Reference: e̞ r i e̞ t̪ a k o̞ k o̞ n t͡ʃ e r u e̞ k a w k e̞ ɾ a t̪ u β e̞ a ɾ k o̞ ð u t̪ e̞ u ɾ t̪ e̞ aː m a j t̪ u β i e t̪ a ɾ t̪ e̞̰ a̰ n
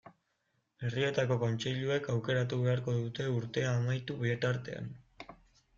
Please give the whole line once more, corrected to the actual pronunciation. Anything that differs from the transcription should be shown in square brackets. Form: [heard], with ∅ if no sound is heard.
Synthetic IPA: e̞ r i e̞ t̪ a k o̞ k o̞ n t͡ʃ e [ʎ] u e̞ k a w k e̞ ɾ a t̪ u β e̞ a ɾ k o̞ ð u t̪ e̞ u ɾ t̪ e̞ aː m a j t̪ u β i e t̪ a ɾ t̪ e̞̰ a̰ n